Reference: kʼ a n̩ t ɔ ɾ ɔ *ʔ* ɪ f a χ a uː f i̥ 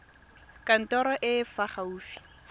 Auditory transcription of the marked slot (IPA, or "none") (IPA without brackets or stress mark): ʔ